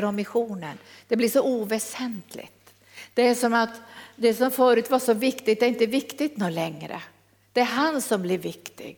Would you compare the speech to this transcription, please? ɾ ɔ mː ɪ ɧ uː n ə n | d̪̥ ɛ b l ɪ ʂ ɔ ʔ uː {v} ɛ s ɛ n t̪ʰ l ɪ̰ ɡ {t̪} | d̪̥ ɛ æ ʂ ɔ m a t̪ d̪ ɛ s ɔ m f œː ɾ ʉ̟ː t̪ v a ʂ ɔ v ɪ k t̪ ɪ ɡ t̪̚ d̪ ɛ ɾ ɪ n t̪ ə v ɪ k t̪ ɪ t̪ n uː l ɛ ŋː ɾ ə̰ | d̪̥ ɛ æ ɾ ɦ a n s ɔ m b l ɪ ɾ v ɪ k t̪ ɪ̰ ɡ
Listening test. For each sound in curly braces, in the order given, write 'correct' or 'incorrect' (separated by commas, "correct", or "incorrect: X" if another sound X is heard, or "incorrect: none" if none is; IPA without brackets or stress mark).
correct, correct